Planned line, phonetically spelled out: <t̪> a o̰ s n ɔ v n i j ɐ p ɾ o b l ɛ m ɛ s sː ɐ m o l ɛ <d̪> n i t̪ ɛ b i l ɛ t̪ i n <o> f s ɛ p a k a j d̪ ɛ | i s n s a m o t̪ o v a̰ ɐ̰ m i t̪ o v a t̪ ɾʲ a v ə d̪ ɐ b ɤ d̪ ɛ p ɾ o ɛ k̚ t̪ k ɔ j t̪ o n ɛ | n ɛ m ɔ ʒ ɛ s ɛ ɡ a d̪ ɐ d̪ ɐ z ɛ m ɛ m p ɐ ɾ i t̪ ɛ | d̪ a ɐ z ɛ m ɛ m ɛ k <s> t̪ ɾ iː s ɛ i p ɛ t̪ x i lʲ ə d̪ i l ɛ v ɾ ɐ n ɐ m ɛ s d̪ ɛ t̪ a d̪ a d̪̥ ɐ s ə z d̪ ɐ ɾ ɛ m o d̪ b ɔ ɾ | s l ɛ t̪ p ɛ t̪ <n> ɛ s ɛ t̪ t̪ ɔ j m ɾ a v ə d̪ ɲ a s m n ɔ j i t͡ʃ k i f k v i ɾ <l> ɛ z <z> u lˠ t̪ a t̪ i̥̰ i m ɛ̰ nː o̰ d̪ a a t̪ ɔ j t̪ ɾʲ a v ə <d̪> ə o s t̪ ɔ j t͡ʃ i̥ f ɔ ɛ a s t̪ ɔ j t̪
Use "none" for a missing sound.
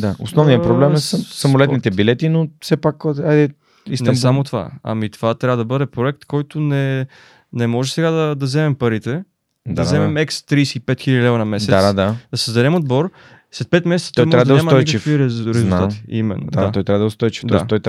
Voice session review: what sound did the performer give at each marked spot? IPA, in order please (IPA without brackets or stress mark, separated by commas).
d̪, t̪, o, s, m, ɾ, z, d̪